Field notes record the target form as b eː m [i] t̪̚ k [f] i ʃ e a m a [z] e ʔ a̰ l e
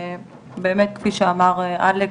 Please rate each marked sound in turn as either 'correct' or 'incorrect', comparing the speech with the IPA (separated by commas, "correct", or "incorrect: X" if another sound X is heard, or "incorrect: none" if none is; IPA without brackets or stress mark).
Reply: incorrect: e, correct, incorrect: ʁ